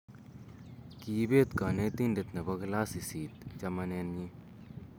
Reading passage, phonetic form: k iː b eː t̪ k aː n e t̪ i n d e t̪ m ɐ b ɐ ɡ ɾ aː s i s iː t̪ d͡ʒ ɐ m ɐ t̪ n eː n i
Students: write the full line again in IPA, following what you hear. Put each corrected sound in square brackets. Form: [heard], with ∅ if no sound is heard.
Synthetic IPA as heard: k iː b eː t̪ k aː n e t̪ i n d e t̪ [n] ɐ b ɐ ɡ [l] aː s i s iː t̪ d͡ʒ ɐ m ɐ [∅] n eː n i